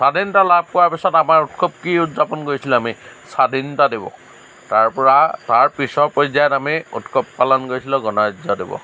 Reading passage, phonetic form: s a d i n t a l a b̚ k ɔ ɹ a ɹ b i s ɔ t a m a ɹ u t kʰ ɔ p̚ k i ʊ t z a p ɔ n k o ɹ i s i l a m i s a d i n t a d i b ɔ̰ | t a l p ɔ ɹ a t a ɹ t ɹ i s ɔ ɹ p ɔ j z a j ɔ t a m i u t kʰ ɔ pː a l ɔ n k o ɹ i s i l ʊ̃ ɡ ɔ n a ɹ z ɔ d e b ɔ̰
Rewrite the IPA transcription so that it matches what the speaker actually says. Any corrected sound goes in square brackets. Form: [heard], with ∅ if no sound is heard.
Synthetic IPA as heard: s a d i n t a l a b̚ k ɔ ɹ a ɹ [p] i s ɔ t a m a ɹ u t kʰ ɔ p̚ k i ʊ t z a p ɔ n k o ɹ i s i l a m i s a d i n t a d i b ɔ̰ | t a [ɹ] p ɔ ɹ a t a ɹ [p] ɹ i s ɔ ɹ p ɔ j z a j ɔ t a m i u t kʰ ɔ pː a l ɔ n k o ɹ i s i l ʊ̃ ɡ ɔ n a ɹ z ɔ d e b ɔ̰